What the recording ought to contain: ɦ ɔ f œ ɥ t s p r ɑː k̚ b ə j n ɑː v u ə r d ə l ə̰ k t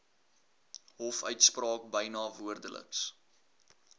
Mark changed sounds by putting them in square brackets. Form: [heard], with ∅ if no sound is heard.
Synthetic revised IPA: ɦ ɔ f œ ɥ t s p r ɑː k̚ b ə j n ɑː v u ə r d ə l ə̰ k [s]